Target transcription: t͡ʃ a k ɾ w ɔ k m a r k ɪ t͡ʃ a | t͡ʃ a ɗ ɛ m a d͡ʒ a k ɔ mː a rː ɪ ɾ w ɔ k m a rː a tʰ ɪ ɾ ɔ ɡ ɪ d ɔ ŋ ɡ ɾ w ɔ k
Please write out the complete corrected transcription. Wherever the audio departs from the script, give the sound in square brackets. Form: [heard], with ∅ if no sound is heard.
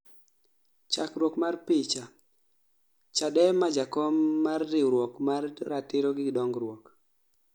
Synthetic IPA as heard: t͡ʃ a k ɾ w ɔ k m a r [p] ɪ t͡ʃ a | t͡ʃ a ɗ ɛ m a d͡ʒ a k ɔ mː a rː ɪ ɾ w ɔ k m a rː a [t] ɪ ɾ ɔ ɡ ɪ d ɔ ŋ ɡ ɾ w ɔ k